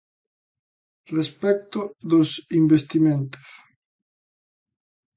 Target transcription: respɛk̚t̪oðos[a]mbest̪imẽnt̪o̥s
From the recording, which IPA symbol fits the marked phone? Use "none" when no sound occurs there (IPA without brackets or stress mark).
i